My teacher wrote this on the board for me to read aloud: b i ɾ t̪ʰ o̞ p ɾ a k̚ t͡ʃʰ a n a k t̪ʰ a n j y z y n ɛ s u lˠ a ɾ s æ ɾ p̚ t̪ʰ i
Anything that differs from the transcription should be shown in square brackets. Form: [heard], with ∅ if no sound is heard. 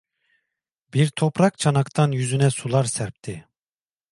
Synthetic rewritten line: b i ɾ t̪ʰ o̞ p ɾ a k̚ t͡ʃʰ a n a k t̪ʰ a n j y z y n ɛ s u lˠ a ɾ s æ ɾ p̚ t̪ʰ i